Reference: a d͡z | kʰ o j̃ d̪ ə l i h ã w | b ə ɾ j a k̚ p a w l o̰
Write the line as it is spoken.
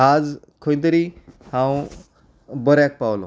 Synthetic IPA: a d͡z | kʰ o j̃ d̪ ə ɾ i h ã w | b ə ɾ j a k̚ p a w l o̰